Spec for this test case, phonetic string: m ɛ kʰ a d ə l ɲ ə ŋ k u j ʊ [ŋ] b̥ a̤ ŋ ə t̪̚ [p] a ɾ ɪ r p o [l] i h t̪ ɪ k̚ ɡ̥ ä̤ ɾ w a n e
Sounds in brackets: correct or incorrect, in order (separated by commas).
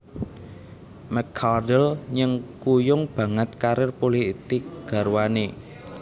correct, incorrect, correct